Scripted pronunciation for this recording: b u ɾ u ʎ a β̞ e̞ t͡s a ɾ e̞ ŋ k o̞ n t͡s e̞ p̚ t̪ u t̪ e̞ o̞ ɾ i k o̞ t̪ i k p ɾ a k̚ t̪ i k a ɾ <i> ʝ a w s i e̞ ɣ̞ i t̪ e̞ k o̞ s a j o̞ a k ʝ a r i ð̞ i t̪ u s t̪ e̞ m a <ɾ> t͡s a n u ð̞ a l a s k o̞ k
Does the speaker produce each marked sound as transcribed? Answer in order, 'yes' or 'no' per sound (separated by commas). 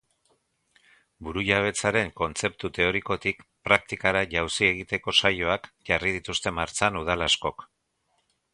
no, yes